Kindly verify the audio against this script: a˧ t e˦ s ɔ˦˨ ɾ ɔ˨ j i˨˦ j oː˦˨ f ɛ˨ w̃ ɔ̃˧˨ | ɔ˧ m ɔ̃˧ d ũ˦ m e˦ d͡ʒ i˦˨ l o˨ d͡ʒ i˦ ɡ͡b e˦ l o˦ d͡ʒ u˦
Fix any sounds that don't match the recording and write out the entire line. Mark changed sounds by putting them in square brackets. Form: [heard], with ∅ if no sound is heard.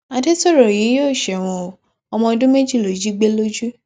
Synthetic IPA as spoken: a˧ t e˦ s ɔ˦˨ ɾ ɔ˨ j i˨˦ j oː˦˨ [ʃ] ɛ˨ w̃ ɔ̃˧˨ | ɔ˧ m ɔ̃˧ d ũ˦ m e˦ d͡ʒ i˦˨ l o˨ d͡ʒ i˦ ɡ͡b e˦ l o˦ d͡ʒ u˦